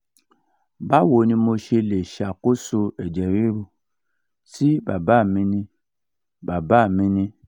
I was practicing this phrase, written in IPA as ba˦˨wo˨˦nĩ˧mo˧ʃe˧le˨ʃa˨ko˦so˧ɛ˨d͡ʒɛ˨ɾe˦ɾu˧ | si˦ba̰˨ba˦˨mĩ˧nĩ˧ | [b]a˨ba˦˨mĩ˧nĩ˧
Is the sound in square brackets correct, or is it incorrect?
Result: correct